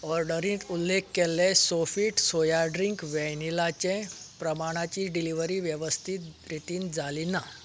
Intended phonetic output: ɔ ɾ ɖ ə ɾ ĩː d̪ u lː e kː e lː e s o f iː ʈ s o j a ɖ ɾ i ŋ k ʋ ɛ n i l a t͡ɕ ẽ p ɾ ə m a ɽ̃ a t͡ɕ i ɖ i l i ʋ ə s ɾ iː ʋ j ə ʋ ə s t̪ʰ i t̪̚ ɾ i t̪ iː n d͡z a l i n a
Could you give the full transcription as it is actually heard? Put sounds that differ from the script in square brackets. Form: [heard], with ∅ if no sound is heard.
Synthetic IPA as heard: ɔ ɾ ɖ ə ɾ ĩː [t̪] u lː e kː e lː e s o f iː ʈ s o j a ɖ ɾ i ŋ k ʋ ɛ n i l a t͡ɕ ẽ p ɾ ə m a ɽ̃ a t͡ɕ i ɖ i l i ʋ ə [∅] ɾ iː ʋ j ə ʋ ə s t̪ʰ i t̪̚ ɾ i t̪ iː n d͡z a l i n a